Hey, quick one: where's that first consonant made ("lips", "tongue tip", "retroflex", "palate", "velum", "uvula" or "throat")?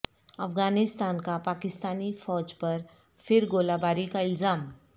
lips